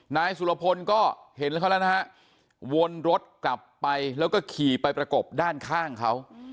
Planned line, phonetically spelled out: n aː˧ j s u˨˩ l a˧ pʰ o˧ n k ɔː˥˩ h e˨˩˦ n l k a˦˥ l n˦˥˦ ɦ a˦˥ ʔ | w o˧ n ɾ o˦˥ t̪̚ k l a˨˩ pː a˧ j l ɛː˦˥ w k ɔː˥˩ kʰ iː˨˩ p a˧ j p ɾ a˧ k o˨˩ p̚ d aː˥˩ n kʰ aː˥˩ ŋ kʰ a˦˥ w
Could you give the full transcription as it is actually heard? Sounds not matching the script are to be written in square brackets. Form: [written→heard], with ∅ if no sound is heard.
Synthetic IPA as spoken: n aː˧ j s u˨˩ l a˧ pʰ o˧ n k ɔː˥˩ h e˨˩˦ n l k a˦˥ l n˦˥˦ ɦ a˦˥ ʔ | w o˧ n ɾ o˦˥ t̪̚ k l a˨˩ pː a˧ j l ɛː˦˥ w k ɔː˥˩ kʰ iː˨˩ p a˧ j p ɾ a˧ k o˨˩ p̚ d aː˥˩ n kʰ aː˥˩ ŋ kʰ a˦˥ w